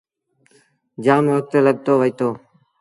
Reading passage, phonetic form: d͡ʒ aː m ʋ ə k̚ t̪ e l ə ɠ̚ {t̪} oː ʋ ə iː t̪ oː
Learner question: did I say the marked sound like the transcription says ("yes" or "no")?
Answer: yes